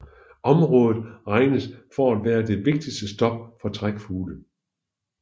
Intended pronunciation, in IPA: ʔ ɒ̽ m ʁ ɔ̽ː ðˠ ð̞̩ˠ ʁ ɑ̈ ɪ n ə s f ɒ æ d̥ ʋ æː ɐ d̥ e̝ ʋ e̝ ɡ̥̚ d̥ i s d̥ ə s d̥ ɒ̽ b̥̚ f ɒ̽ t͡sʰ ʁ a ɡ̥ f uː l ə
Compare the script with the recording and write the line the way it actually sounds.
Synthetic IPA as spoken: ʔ ɒ̽ m ʁ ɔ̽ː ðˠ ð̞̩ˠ ʁ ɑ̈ ɪ n ə s f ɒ æ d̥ ʋ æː ɐ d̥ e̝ ʋ e̝ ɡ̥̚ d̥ i s d̥ ə s d̥ ɒ̽ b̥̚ f ɒ̽ t͡sʰ ʁ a ɡ̥ f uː l ə